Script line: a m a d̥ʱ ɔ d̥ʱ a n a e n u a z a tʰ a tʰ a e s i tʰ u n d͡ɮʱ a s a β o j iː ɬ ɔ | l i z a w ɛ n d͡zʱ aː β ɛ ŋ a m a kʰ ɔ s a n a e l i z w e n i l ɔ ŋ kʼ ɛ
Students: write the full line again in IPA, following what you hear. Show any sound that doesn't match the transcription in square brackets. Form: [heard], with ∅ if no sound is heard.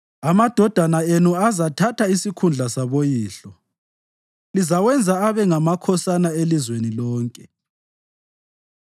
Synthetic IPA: a m a d̥ʱ ɔ d̥ʱ a n a e n u a z a tʰ a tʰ a [i] s i [kʰ] u n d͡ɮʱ a s a β o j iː ɬ ɔ | l i z a w ɛ n d͡zʱ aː β ɛ ŋ a m a kʰ ɔ s a n a e l i z w e n i l [ɔː] ŋ kʼ ɛ